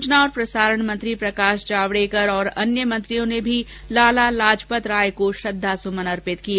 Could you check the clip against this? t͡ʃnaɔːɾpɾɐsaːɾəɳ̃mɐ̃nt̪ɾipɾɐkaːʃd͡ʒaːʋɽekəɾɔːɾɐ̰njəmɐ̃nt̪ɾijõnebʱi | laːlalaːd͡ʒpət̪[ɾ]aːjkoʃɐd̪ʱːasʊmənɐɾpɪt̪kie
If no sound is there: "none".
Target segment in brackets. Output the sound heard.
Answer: ɾ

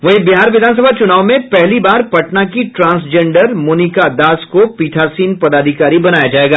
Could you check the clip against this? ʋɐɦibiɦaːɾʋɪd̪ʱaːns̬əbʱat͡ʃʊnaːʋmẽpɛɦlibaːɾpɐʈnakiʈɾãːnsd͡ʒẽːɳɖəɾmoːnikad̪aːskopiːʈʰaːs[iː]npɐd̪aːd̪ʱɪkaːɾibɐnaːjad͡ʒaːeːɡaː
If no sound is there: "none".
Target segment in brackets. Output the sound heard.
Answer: iː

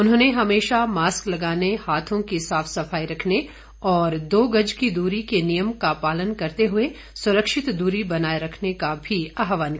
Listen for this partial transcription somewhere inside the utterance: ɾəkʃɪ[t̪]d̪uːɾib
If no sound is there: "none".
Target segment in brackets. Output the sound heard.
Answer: t̪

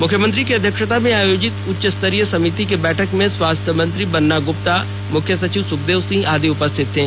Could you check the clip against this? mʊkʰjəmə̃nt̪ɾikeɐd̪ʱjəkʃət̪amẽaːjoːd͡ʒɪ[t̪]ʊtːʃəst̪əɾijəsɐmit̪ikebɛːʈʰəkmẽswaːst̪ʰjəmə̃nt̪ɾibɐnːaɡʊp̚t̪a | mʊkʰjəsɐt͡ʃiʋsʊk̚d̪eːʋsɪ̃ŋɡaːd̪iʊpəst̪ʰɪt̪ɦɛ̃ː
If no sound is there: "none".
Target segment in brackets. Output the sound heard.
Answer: t̪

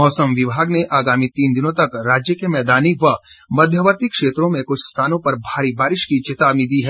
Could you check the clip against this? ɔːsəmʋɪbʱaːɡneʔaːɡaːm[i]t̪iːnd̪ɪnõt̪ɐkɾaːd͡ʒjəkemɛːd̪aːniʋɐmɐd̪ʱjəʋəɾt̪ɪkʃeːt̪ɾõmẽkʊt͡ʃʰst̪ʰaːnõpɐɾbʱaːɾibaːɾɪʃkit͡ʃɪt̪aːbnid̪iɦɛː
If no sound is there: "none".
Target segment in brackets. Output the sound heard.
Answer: i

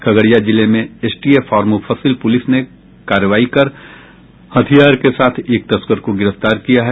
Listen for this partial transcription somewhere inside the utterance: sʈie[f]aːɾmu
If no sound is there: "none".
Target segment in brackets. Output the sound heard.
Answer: f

